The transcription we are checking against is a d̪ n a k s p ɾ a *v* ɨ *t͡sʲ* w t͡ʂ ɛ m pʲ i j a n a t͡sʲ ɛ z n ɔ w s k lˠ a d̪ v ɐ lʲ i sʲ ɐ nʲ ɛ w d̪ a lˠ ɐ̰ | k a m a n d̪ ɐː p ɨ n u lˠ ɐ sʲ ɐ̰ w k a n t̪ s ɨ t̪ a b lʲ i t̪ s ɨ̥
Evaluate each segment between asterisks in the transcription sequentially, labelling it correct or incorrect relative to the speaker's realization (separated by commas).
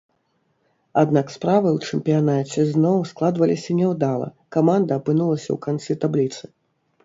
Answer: correct, incorrect